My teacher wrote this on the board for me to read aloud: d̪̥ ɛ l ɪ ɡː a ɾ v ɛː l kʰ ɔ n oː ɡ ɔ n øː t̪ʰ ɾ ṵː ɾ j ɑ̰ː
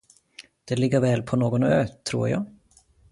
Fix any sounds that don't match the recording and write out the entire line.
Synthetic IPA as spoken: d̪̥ ɛ l ɪ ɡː ə ɾ v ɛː l pʰ ɔ n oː ɡ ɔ n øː t̪ʰ ɾ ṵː ɾ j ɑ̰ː